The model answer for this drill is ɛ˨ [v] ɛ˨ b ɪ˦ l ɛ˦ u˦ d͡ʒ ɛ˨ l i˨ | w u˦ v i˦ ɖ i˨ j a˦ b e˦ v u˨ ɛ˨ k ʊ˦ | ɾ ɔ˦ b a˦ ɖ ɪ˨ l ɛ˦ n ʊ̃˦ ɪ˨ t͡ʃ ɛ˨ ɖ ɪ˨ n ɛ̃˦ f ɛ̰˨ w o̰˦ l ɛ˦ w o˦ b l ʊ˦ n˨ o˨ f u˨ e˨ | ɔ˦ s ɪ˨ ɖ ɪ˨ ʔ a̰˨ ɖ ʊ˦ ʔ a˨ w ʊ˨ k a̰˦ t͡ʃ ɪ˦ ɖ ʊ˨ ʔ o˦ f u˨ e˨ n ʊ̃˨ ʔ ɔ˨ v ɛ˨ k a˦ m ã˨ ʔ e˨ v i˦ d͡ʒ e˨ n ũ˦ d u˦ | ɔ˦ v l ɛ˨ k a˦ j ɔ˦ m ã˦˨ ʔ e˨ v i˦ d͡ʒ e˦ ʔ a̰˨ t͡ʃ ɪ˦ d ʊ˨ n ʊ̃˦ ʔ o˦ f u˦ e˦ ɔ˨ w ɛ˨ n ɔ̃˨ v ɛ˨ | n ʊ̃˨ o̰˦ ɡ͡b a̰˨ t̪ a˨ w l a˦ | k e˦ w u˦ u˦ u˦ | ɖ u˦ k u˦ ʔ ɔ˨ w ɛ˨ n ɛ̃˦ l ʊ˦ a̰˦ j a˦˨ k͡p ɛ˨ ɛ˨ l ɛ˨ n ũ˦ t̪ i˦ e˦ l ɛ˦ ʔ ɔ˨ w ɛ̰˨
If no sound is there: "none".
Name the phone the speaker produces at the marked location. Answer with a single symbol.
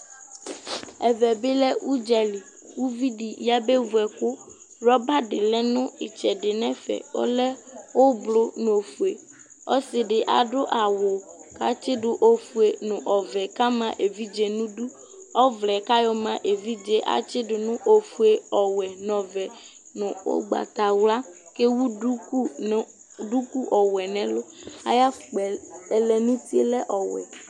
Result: v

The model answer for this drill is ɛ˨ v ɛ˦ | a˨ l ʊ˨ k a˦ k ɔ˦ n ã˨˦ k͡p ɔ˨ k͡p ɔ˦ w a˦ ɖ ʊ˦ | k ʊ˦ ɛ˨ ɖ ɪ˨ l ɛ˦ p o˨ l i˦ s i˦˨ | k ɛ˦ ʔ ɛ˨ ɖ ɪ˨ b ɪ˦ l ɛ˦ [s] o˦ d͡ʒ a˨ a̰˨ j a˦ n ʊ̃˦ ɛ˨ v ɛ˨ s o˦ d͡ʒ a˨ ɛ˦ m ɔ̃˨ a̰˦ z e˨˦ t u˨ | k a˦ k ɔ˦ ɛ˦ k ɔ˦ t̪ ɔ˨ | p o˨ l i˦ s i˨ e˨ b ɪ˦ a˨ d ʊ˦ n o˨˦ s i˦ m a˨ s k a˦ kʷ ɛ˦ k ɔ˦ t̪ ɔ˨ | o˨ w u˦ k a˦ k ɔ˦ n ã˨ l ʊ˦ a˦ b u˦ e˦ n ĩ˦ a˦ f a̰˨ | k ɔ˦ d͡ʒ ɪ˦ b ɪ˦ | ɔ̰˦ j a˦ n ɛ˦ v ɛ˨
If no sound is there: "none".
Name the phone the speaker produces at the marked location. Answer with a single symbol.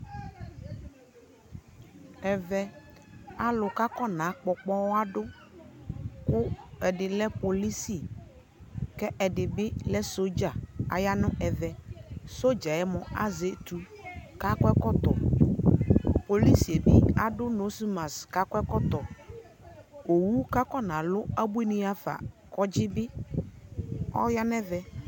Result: s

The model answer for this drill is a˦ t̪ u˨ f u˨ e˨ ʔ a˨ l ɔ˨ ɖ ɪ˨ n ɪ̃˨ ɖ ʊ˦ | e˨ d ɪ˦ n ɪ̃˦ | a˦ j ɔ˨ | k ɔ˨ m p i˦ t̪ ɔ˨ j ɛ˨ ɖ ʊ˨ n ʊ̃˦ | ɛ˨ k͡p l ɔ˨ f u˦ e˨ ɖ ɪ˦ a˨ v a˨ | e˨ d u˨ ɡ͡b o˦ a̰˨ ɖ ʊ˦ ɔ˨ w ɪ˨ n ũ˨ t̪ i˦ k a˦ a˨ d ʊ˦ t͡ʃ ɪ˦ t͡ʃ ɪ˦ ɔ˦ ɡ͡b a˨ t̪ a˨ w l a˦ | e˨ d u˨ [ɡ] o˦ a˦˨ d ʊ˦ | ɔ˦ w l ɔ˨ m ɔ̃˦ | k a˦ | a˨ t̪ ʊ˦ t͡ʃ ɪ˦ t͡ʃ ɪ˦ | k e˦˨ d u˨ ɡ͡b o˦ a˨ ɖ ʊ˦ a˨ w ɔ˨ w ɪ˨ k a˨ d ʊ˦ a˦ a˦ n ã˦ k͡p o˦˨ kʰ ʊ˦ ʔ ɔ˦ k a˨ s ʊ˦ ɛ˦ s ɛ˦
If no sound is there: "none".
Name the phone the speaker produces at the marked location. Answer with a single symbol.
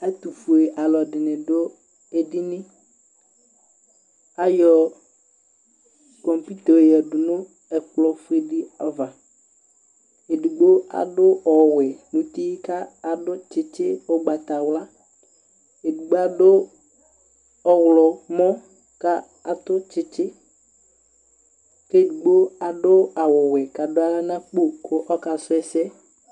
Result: ɡ͡b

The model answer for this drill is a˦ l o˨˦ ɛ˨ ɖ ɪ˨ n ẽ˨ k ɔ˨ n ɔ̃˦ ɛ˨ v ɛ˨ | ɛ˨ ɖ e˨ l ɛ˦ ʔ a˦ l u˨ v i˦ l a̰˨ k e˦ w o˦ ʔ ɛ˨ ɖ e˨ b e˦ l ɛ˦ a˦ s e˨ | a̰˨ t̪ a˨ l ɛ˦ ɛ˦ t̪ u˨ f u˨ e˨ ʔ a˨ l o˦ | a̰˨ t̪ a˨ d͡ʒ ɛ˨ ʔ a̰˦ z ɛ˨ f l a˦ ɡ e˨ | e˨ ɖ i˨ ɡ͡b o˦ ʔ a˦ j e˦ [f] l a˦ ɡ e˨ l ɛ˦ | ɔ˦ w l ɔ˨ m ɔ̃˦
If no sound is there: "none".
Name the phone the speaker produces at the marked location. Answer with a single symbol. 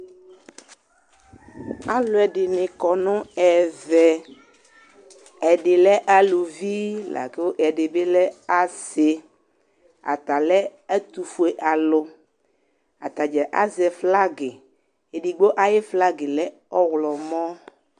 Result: f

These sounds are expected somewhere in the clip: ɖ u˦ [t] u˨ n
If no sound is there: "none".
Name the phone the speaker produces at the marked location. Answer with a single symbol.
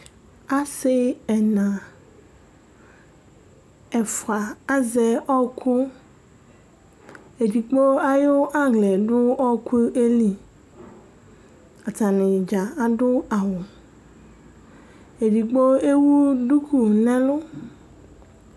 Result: k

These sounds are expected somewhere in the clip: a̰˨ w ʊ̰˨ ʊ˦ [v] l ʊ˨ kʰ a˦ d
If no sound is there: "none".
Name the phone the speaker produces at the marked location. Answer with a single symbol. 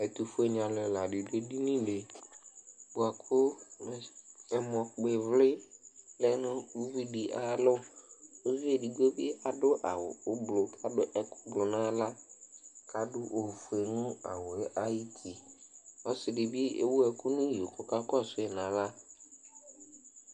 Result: b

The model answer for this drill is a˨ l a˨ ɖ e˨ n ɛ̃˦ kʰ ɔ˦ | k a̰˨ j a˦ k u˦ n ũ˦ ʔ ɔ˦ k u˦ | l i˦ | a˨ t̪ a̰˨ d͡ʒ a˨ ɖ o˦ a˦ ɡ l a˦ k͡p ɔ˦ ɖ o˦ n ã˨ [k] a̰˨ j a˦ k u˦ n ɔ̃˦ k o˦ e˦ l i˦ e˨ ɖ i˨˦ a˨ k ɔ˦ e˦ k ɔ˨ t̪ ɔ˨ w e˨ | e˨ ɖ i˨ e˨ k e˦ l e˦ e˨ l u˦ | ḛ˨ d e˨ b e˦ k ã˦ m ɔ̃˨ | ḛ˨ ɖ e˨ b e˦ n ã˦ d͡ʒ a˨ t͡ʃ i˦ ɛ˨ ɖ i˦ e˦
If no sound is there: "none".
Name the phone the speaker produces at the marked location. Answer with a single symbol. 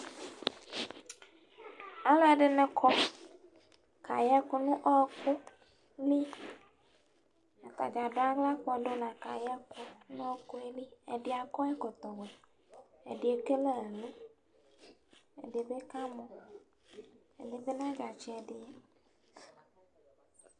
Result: k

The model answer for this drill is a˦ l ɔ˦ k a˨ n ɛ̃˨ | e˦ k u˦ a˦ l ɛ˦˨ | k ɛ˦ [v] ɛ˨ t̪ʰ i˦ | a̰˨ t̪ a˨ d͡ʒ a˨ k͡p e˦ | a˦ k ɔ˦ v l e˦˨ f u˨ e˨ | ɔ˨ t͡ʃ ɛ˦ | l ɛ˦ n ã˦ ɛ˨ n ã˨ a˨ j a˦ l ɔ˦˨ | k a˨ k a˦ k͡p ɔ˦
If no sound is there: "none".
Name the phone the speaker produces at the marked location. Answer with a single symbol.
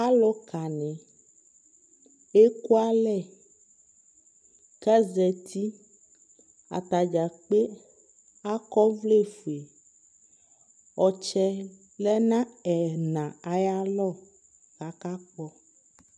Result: z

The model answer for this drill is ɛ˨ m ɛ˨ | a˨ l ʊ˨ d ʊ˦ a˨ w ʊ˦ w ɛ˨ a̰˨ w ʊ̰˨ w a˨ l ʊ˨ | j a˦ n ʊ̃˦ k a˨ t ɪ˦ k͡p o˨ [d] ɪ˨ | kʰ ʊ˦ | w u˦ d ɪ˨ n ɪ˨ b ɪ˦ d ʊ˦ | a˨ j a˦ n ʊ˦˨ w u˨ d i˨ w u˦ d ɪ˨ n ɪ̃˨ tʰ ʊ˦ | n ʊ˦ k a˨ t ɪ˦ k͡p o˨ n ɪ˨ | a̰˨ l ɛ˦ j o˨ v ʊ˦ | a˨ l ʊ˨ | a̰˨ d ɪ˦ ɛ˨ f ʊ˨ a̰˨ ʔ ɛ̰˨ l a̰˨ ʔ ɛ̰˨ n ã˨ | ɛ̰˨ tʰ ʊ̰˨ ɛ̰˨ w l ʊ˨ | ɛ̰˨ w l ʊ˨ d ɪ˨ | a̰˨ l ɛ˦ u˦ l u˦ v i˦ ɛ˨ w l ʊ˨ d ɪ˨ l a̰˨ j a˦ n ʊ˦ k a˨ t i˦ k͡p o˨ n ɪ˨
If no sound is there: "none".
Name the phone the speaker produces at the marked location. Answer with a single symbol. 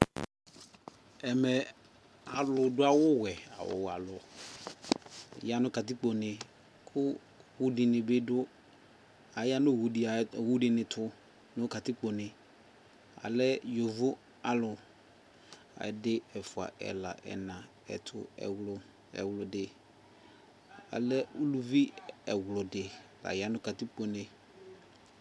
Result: n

